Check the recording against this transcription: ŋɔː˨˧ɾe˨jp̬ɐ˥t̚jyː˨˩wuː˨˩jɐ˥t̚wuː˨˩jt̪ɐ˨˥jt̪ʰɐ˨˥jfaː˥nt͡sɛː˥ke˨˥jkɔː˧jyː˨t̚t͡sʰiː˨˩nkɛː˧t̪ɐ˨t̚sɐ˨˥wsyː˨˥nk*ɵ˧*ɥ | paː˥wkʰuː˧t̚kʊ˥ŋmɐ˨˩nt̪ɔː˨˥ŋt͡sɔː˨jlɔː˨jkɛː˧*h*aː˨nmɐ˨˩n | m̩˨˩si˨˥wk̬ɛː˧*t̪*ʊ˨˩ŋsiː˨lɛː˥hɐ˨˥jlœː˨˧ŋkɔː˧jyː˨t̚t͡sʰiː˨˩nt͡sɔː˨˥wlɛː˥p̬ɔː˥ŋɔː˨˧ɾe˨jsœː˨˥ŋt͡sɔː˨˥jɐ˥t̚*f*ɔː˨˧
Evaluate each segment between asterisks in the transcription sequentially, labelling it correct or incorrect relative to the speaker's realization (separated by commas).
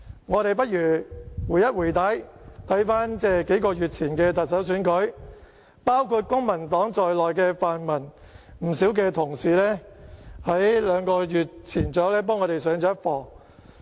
incorrect, incorrect, incorrect, correct